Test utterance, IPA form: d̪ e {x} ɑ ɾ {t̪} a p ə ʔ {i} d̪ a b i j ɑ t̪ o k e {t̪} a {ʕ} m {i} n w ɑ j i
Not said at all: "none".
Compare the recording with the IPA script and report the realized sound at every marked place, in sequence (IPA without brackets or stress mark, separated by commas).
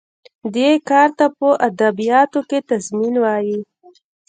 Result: k, t̪, a, t̪, z, i